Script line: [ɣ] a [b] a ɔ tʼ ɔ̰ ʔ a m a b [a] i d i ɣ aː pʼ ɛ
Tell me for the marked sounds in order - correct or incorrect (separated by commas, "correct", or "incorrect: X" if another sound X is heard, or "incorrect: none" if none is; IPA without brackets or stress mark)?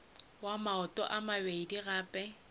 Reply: incorrect: w, incorrect: m, incorrect: e